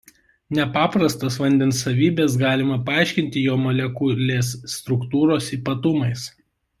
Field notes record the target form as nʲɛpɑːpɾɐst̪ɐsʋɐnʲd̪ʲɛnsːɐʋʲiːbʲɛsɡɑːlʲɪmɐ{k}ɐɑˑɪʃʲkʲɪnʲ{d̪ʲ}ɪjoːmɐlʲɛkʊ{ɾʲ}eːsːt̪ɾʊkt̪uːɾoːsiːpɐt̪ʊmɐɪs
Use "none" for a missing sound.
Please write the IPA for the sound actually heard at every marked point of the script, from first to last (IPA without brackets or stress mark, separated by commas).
p, t̪ʲ, lʲ